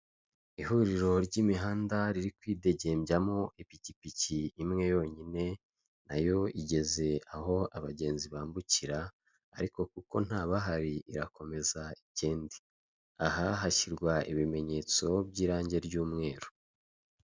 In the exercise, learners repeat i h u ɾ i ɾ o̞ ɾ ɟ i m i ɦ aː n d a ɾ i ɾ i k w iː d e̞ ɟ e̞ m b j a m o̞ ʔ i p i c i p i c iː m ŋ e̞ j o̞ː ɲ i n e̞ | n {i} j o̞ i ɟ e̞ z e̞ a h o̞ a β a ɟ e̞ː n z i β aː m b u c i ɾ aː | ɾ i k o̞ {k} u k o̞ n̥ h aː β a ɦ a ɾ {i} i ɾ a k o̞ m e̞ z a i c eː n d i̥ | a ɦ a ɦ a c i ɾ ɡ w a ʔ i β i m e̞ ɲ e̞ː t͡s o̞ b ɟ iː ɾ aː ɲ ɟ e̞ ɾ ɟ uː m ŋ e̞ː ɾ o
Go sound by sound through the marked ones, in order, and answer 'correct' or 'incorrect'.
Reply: incorrect: a, correct, correct

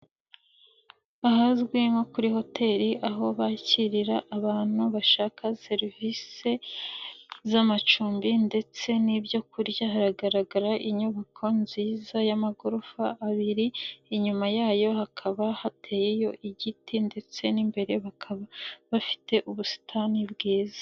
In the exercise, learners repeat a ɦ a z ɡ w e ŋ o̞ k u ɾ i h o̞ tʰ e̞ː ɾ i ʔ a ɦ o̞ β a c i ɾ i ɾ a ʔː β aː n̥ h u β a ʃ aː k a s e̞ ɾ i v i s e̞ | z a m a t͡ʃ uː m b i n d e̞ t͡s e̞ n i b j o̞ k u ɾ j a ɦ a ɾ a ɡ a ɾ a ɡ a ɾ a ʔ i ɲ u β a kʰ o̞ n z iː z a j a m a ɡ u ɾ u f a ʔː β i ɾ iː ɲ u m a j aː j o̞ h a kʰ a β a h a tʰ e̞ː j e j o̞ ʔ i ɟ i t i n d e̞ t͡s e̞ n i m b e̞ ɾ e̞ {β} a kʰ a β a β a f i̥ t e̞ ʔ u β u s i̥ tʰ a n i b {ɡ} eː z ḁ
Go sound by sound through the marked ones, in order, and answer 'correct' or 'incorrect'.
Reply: correct, correct

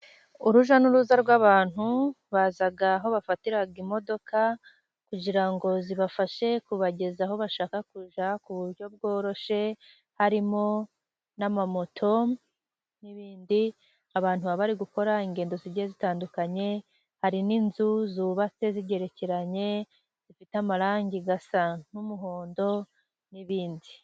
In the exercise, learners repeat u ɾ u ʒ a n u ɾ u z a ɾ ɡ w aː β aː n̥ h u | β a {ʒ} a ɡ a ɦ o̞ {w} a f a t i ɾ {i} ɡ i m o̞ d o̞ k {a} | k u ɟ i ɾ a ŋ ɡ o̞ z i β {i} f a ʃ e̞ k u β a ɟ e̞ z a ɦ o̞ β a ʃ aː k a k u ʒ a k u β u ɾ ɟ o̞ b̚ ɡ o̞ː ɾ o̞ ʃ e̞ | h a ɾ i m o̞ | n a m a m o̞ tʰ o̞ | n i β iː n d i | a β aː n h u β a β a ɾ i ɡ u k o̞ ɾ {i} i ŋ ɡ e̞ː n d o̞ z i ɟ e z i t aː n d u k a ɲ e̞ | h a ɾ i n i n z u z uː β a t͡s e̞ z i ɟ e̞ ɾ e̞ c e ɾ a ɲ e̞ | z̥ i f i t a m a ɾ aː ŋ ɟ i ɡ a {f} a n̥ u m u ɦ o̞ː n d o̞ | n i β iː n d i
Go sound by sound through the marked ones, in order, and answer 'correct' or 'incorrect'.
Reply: incorrect: z, incorrect: β, incorrect: a, correct, incorrect: a, incorrect: a, incorrect: s

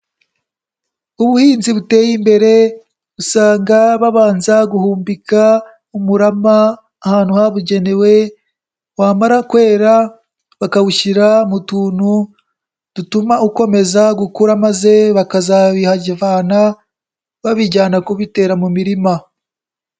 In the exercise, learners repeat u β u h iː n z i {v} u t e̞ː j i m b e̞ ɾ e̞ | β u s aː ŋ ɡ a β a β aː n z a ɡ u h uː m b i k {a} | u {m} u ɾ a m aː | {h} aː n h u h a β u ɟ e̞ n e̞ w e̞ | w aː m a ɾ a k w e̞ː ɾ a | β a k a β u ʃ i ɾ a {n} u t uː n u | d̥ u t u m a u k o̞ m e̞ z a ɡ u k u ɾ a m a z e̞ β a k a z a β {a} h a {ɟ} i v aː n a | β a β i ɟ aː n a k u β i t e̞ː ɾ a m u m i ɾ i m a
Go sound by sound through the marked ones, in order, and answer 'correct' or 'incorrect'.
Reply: incorrect: β, correct, correct, correct, incorrect: m, incorrect: i, correct

